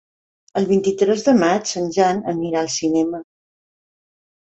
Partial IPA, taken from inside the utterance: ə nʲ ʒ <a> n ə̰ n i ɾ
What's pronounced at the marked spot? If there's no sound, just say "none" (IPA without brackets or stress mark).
a